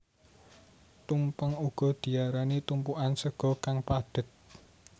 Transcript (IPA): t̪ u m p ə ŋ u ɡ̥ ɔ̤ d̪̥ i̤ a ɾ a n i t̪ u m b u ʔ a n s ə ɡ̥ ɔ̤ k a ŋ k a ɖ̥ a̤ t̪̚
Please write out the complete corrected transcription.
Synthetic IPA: t̪ u m p ə ŋ u ɡ̥ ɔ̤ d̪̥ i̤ a ɾ a n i t̪ u m p u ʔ a n s ə ɡ̥ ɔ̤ k a ŋ p a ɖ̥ ə̤ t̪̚